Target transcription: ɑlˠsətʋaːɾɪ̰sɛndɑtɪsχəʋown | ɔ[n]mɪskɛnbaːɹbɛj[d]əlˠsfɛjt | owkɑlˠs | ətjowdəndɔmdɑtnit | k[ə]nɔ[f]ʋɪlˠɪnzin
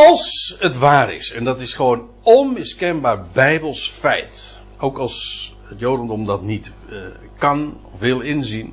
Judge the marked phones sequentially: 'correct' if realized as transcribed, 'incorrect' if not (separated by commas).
correct, incorrect, incorrect, correct